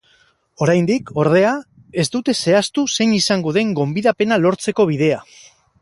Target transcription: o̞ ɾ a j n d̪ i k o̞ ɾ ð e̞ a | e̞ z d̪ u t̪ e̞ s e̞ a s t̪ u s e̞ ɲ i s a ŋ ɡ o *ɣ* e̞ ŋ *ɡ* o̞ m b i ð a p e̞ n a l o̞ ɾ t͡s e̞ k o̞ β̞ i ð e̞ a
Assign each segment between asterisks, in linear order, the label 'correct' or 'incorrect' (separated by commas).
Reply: incorrect, correct